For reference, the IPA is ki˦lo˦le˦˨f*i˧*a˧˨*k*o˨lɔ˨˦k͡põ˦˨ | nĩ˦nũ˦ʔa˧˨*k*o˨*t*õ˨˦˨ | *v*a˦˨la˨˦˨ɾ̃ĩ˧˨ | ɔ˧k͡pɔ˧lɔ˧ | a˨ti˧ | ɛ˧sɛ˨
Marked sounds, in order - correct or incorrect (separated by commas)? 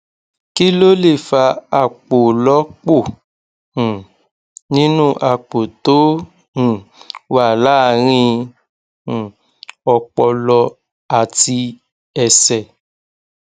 incorrect, incorrect, incorrect, correct, incorrect